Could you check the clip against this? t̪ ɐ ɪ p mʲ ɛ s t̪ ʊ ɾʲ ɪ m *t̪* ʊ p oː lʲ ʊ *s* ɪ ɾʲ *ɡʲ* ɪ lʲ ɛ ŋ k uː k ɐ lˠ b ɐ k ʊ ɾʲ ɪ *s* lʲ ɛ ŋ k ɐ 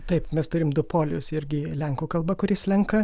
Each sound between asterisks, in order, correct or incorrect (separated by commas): incorrect, correct, correct, correct